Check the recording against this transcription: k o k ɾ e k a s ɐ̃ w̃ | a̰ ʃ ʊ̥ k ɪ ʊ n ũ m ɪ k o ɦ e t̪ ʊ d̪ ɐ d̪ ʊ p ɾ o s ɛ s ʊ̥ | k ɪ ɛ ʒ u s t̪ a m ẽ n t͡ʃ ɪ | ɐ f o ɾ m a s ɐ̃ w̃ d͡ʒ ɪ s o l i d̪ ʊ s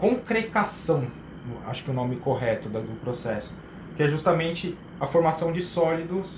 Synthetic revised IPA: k õ k ɾ e k a s ɐ̃ w̃ | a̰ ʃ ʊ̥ k ɪ ʊ n õ m ɪ k o ɦ ɛ t̪ ʊ d̪ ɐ d̪ ʊ p ɾ o s ɛ s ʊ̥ | k ɪ ɛ ʒ u s t̪ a m ẽ n t͡ʃ ɪ | ɐ f o ɾ m a s ɐ̃ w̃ d͡ʒ ɪ s ɔ l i d̪ ʊ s